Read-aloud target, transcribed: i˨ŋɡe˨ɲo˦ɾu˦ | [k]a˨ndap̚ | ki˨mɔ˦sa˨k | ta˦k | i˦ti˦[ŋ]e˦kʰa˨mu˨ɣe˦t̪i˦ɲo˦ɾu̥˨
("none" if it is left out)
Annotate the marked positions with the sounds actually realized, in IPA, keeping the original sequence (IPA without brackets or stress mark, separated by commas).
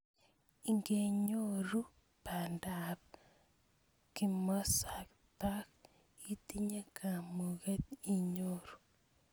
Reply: p, ɲ